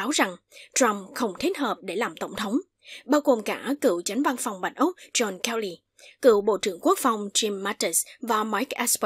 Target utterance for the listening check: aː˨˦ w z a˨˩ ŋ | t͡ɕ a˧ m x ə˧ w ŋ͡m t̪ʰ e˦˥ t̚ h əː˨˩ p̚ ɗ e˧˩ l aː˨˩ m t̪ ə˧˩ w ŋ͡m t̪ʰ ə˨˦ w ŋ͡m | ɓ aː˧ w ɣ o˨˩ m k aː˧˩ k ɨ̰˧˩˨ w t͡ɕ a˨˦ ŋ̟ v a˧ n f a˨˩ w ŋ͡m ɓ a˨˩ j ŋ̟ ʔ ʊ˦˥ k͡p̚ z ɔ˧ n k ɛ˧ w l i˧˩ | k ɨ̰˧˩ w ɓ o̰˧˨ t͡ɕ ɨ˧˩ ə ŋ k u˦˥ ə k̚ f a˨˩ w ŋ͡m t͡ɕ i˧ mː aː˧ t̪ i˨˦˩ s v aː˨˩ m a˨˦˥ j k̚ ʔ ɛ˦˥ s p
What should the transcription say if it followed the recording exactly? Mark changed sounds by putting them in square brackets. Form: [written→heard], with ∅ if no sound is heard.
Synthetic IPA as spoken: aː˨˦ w z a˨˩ ŋ | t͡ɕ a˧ m x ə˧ w ŋ͡m t̪ʰ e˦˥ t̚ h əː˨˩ p̚ ɗ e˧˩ l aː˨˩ m t̪ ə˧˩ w ŋ͡m t̪ʰ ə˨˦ w ŋ͡m | ɓ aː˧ w ɣ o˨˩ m k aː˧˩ k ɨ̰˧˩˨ w t͡ɕ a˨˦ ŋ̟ v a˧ n f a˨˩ w ŋ͡m ɓ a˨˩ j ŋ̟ ʔ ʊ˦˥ k͡p̚ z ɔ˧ n k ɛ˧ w l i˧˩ | k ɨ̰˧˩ w ɓ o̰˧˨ t͡ɕ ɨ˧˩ ə ŋ k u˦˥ ə k̚ f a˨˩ w ŋ͡m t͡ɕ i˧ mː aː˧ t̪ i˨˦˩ s v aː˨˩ m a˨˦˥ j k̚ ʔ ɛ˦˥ s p